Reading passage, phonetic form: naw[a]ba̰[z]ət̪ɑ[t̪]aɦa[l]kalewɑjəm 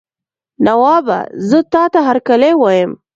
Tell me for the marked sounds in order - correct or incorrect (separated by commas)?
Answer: incorrect, correct, correct, incorrect